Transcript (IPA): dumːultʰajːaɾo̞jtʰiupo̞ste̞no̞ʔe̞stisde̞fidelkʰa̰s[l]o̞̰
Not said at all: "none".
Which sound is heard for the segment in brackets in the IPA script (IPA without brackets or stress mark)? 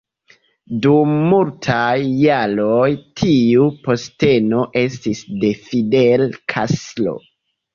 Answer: l